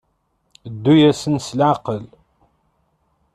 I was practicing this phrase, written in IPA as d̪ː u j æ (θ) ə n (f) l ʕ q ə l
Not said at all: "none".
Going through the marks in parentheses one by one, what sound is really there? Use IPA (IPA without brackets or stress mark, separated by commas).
s, s